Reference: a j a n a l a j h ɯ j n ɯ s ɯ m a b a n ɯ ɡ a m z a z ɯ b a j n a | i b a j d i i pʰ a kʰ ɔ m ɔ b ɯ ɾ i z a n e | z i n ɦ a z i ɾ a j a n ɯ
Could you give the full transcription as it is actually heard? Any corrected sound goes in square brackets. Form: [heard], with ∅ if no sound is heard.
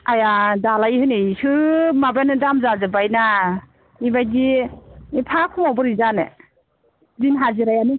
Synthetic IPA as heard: a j a [d] a l a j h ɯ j n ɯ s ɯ m a b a n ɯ [d] a m z a z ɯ b a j n a | i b a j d i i pʰ a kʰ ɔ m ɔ b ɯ ɾ i z a n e | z i n ɦ a z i ɾ a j a n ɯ

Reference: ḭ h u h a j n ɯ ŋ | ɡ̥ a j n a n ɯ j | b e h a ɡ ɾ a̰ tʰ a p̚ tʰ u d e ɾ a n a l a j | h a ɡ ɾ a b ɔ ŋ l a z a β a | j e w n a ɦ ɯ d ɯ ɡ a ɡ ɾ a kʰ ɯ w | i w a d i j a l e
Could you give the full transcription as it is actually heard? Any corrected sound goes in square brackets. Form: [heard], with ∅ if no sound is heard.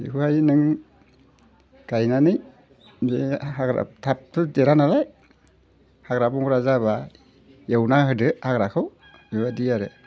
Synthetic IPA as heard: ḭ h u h a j n ɯ ŋ | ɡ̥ a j n a n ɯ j | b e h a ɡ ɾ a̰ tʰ a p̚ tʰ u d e ɾ a n a l a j | h a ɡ ɾ a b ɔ ŋ [ɾ] a z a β a | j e w n a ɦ ɯ d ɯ [∅] a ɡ ɾ a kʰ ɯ w | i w a d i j a [ɾ] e

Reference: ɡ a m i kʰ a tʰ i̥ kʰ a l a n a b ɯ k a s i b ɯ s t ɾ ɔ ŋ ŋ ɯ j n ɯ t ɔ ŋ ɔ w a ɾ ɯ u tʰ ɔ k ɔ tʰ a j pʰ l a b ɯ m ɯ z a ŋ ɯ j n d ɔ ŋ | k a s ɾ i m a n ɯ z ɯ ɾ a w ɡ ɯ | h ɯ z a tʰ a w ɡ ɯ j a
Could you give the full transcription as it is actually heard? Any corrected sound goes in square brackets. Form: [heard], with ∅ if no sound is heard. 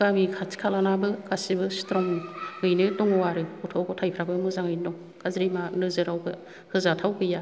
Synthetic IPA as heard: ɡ a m i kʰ a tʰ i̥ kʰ a l a n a b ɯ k a s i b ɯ s t ɾ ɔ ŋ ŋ ɯ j n ɯ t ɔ ŋ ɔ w a ɾ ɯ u tʰ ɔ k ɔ tʰ a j pʰ [ɾ] a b ɯ m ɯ z a ŋ ɯ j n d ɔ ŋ | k a [z] ɾ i m a n ɯ z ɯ ɾ a w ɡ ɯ | h ɯ z a tʰ a w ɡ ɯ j a

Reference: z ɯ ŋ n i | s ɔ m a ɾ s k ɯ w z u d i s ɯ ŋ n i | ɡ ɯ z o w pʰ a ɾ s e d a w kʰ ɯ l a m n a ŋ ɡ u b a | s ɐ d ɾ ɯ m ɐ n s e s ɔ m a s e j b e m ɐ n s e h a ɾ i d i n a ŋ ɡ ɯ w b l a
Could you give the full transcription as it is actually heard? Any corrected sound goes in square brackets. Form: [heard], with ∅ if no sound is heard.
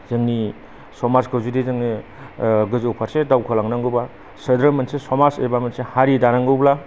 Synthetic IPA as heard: z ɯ ŋ n i | s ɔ m a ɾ s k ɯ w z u d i [z] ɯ ŋ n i | ɡ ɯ z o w pʰ a ɾ s e d a w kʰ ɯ l a [ŋ] n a ŋ ɡ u b a | s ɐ d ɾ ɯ m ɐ n s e s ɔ m a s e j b [a] m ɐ n s e h a ɾ i d [a] n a ŋ ɡ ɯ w b l a

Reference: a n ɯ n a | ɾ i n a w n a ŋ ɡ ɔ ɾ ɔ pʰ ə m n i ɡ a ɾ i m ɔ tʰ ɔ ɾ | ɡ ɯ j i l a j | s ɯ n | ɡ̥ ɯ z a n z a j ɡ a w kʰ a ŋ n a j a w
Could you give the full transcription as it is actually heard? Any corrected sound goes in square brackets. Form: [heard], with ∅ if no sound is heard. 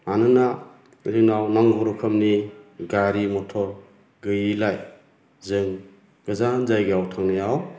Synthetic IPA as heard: a n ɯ n a | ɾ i n a w n a ŋ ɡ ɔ ɾ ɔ [kʰ] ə m n i ɡ a ɾ i m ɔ tʰ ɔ ɾ | ɡ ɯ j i l a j | [z] ɯ [ŋ] | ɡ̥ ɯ z a n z a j ɡ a w [tʰ] a ŋ n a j a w

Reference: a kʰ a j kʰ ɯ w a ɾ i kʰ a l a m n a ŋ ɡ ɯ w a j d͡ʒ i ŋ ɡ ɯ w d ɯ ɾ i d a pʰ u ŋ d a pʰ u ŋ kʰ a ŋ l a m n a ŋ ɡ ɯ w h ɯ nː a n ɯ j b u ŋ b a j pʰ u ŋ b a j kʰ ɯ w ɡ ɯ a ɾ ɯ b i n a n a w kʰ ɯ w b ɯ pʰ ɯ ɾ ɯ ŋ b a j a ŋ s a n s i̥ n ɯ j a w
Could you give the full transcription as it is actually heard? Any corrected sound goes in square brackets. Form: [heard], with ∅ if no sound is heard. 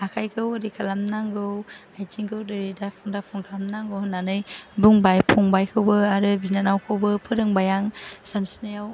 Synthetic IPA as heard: a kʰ a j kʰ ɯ w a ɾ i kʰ a l a m n a ŋ ɡ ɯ w a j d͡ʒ i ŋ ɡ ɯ w d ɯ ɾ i d a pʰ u ŋ d a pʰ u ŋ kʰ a [∅] l a m n a ŋ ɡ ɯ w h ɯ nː a n ɯ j b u ŋ b a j pʰ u ŋ b a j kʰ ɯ w [b] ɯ a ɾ ɯ b i n a n a w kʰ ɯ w b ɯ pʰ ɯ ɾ ɯ ŋ b a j a ŋ s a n s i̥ n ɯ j a w

